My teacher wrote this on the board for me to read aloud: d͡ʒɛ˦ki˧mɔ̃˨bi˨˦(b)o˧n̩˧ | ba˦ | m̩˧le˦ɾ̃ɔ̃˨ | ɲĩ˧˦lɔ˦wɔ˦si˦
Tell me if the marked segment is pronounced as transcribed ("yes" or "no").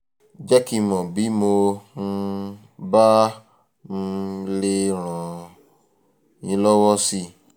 no